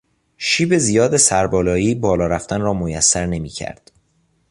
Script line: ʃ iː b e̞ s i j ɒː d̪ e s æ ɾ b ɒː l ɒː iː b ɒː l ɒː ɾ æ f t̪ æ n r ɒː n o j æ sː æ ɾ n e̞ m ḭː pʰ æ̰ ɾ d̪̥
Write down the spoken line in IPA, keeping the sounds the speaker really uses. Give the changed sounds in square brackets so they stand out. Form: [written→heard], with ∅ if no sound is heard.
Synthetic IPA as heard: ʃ iː b e̞ [s→z] i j ɒː d̪ e s æ ɾ b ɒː l ɒː iː b ɒː l ɒː ɾ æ f t̪ æ n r ɒː [n→m] o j æ sː æ ɾ n e̞ m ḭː [pʰ→cʰ] æ̰ ɾ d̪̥